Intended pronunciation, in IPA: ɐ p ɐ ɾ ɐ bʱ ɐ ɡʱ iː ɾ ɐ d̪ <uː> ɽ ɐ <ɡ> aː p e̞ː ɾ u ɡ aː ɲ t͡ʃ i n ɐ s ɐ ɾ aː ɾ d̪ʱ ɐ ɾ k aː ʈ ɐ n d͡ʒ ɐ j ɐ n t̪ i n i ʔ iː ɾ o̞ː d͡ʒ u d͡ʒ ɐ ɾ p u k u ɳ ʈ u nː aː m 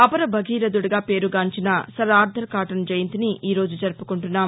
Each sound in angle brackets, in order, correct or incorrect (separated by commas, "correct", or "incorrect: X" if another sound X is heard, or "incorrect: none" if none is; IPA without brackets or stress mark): incorrect: u, correct